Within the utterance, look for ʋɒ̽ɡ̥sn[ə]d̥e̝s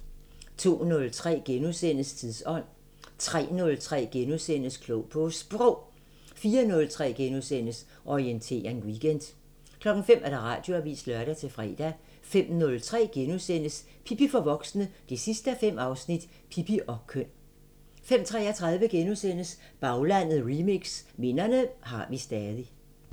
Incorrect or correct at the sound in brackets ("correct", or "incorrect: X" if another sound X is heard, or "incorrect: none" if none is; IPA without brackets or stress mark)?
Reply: correct